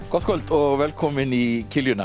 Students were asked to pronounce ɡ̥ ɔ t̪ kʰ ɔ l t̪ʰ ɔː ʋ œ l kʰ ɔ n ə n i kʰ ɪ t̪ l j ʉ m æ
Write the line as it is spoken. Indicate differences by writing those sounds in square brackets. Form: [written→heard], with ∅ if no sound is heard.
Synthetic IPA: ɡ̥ ɔ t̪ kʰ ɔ l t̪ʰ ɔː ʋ [œ→ɛ] l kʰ ɔ [n→m] ə n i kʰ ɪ [t̪→∅] l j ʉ [m→n] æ